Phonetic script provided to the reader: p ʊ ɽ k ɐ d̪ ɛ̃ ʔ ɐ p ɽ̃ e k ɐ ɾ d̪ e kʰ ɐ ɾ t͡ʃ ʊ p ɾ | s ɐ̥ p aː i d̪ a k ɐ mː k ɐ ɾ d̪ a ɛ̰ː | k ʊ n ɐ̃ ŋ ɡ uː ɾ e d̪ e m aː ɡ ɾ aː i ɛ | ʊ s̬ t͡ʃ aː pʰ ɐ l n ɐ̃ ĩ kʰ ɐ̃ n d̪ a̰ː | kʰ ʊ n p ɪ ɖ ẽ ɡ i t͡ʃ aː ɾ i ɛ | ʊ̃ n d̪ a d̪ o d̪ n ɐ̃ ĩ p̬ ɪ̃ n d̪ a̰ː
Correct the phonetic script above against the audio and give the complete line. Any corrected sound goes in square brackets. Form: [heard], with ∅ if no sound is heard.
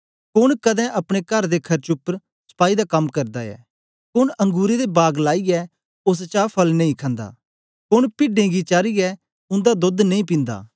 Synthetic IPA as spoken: [k] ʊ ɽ k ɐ d̪ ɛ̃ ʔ ɐ p ɽ̃ e k ɐ ɾ d̪ e kʰ ɐ ɾ t͡ʃ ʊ p ɾ | s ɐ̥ p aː i d̪ a k ɐ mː k ɐ ɾ d̪ a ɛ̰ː | k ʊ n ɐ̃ ŋ ɡ uː ɾ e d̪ e [b] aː ɡ [l] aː i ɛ | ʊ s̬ t͡ʃ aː pʰ ɐ l n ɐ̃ ĩ kʰ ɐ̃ n d̪ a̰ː | [k] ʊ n p ɪ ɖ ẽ ɡ i t͡ʃ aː ɾ i ɛ | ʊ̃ n d̪ a d̪ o d̪ n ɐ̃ ĩ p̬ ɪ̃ n d̪ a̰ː